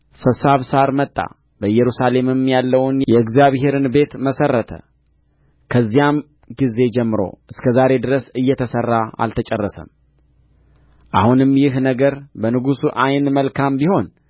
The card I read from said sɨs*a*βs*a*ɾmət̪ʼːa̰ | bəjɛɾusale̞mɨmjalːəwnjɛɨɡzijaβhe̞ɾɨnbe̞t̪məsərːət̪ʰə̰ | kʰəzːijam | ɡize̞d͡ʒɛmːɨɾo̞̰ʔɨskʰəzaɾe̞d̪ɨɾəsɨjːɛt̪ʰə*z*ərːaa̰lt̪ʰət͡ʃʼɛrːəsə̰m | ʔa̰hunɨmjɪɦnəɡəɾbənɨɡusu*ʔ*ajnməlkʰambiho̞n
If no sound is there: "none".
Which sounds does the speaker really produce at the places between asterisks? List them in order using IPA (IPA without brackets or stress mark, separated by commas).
a, a, s, ʔ